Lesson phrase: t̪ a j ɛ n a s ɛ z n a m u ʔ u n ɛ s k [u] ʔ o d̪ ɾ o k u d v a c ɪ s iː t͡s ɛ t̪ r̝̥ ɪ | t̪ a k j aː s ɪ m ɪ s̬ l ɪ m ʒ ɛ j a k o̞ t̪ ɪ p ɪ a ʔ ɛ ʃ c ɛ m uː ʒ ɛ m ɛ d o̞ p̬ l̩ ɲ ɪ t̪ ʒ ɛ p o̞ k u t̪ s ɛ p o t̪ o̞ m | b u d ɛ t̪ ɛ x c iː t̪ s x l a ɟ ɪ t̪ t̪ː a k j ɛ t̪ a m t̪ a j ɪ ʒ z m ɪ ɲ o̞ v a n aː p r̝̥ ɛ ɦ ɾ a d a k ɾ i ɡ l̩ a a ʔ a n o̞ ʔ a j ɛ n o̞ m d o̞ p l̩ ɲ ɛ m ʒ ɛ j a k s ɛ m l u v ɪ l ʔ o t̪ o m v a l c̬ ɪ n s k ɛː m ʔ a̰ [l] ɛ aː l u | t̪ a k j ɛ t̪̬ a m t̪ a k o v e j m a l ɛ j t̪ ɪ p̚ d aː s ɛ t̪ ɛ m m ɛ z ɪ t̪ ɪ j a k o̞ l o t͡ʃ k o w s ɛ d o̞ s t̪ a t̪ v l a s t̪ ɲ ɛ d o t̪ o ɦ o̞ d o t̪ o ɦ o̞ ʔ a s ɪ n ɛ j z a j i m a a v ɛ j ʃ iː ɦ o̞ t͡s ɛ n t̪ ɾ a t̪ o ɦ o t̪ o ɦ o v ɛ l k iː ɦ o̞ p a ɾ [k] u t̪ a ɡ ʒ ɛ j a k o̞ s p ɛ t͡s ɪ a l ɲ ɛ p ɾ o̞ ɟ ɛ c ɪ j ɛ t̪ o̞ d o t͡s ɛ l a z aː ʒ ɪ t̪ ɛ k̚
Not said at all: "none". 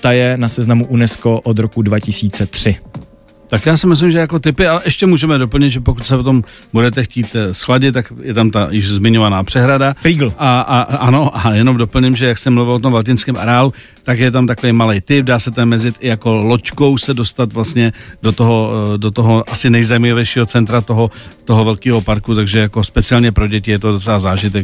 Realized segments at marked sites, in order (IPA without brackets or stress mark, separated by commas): o, ɾ, k